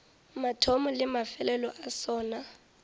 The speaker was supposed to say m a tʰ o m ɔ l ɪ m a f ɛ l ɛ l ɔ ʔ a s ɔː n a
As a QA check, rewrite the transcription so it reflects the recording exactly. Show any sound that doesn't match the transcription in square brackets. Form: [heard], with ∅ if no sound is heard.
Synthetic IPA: m a tʰ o m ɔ l ɪ m a f ɛ l ɛ l ɔ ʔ a s ɔː n a